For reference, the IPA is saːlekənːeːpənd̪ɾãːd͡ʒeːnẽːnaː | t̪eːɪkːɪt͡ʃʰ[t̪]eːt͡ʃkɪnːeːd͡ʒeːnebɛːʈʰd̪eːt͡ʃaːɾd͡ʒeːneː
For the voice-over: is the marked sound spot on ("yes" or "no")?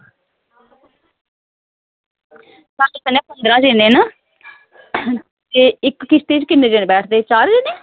yes